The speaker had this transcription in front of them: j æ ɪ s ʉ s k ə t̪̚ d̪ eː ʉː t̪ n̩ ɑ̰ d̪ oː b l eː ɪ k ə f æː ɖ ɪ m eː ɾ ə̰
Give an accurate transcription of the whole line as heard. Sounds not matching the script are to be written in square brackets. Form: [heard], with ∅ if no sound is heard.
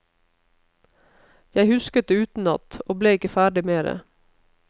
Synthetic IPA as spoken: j æ ɪ [h] ʉ s k ə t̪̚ d̪ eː ʉː t̪ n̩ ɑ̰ [t̪] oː b l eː ɪ k ə f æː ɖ ɪ m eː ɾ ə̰